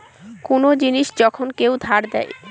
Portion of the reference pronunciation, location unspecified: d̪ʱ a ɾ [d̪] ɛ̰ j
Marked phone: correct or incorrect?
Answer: correct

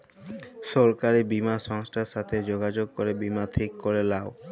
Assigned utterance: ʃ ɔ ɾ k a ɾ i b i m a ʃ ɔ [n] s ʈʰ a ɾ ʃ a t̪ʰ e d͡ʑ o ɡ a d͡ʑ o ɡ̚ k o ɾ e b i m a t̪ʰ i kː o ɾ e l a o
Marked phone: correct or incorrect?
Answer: incorrect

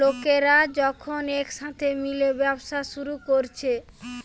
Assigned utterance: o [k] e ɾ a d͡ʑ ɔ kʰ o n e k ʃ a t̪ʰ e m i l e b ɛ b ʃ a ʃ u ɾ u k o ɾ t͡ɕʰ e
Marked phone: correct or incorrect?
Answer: correct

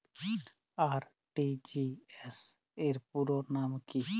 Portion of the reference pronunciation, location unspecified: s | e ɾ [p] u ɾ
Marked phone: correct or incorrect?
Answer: correct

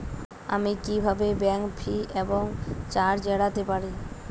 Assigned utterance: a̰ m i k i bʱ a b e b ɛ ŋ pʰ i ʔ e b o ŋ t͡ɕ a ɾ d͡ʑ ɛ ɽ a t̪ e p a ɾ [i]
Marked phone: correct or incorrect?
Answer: correct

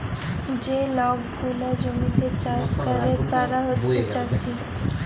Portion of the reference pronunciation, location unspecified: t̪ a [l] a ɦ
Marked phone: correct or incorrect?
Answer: incorrect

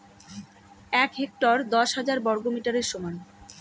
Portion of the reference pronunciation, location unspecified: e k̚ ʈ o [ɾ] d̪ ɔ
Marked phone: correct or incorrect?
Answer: correct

